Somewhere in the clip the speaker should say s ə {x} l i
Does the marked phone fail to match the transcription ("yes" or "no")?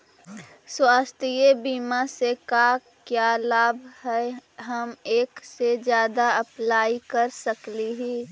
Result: yes